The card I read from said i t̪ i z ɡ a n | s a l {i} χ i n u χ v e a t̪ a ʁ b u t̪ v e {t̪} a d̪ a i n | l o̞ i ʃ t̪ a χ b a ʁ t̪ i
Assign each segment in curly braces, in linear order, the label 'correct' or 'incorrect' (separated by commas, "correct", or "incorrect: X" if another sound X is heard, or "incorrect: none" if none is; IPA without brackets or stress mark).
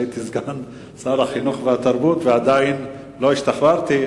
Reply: incorrect: a, incorrect: none